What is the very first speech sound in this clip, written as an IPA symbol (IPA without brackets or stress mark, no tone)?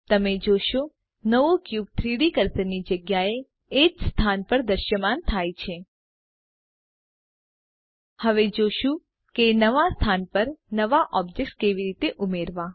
t̪